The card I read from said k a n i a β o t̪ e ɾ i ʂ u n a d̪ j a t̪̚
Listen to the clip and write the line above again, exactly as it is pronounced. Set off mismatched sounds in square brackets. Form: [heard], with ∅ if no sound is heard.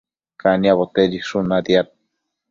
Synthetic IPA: k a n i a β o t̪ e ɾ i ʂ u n a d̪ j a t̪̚